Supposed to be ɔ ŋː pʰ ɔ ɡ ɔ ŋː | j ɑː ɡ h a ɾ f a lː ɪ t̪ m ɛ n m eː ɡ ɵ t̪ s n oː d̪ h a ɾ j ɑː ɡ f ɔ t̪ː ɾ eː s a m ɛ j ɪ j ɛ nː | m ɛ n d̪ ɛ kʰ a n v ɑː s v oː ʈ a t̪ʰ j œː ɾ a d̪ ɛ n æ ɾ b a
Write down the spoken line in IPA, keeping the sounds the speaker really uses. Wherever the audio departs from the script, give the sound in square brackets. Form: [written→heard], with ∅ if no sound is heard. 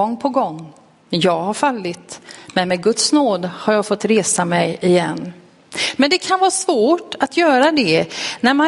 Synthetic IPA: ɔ ŋː pʰ ɔ ɡ ɔ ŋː | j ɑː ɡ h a ɾ f a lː ɪ t̪ m ɛ n m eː ɡ ɵ t̪ s n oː d̪ h a ɾ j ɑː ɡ f ɔ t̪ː ɾ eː s a m ɛ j ɪ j ɛ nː | m ɛ n d̪ ɛ kʰ a n v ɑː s v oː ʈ a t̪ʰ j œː ɾ a d̪ ɛ n æ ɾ [b→m] a